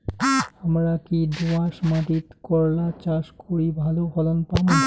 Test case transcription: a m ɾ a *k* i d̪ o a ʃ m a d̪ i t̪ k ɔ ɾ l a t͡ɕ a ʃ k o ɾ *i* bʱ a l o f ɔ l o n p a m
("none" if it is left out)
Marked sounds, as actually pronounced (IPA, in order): k, i

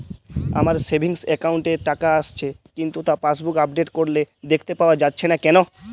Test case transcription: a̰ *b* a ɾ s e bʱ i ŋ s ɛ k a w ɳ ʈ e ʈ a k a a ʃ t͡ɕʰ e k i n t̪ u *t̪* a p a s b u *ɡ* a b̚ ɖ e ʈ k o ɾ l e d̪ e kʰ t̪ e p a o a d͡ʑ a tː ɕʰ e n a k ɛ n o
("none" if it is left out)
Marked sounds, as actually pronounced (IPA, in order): m, t̪, k

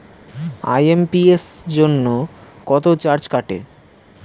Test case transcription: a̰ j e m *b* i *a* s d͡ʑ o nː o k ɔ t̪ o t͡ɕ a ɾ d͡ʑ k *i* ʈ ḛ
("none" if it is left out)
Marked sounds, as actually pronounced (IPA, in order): p, e, a

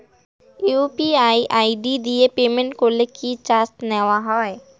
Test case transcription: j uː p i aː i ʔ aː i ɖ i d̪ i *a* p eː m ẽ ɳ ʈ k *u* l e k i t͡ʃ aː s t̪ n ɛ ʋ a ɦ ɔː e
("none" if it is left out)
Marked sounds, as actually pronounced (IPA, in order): e, o

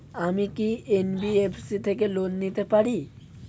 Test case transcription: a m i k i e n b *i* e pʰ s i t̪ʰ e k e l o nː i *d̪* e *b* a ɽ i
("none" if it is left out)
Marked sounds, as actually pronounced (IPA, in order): i, t̪, p

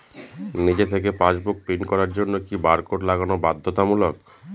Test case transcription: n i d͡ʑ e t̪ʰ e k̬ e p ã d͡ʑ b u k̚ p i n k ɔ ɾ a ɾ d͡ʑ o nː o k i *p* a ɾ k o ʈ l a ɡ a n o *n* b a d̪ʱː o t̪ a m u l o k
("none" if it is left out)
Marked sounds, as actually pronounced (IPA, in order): b, none

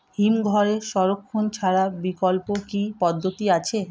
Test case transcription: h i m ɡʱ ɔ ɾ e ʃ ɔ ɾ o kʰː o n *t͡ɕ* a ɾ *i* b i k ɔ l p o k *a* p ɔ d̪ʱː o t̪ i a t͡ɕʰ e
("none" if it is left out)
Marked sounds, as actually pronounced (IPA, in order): t͡ɕʰ, a, i

